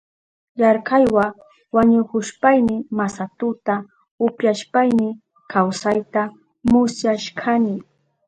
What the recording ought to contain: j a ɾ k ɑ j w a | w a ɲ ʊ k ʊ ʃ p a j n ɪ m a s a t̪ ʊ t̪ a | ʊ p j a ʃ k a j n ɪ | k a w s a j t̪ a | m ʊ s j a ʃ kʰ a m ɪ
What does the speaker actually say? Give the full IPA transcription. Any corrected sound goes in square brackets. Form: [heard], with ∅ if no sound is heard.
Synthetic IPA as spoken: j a ɾ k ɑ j w a | w a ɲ ʊ k ʊ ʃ p a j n ɪ m a s a t̪ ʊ t̪ a | ʊ p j a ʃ [p] a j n ɪ | k a w s a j t̪ a | m ʊ s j a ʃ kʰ a [n] ɪ